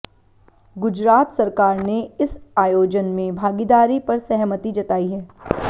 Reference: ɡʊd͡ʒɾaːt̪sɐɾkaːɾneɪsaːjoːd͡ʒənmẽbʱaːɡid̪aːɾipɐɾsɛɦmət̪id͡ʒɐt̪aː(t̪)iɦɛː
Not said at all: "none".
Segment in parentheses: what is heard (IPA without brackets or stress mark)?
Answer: none